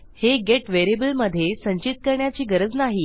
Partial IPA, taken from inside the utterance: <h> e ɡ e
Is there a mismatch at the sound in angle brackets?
no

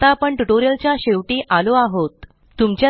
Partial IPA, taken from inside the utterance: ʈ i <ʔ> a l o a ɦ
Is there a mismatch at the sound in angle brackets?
no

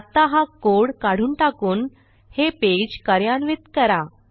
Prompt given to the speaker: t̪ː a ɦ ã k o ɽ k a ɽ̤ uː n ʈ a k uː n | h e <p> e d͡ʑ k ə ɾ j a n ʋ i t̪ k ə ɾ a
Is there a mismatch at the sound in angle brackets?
no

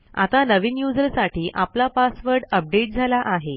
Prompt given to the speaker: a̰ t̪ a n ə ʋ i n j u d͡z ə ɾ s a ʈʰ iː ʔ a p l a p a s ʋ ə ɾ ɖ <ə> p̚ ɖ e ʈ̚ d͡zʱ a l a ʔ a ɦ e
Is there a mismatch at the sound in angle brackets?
no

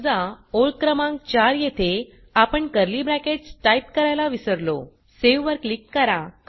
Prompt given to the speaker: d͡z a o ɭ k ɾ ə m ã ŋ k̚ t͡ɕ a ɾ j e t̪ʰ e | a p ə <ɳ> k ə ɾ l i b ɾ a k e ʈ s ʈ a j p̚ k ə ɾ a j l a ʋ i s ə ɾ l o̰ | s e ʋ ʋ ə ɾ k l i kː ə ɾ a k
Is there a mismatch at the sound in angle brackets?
no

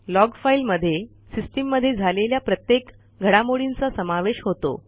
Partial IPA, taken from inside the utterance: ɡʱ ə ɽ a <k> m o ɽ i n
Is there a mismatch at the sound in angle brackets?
yes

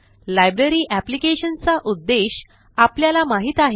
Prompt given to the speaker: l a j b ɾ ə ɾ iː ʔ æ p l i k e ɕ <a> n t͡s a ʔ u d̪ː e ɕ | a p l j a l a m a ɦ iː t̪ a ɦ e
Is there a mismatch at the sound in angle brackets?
yes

